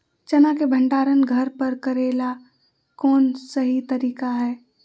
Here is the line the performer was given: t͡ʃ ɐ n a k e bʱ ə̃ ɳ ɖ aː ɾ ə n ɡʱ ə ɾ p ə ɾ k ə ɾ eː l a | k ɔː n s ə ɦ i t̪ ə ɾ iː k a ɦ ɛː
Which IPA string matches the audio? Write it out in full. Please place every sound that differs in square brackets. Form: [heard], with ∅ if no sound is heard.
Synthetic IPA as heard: t͡ʃ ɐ n a k e bʱ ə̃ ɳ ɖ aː ɾ ə n ɡʱ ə ɾ p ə ɾ k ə ɾ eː l a | k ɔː n s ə ɦ i t̪ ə ɾ iː k a ɦ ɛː